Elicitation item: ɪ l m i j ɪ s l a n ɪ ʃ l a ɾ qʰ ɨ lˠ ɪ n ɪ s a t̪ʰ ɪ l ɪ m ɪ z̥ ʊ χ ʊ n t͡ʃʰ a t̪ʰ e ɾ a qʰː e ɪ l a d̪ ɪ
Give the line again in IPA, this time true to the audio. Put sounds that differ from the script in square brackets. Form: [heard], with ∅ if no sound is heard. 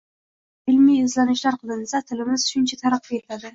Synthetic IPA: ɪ l m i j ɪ [z] l a n ɪ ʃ l a ɾ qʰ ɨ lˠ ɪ n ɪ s a t̪ʰ ɪ l ɪ m ɪ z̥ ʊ [ʃ] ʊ n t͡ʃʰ a t̪ʰ [a] ɾ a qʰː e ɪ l a d̪ ɪ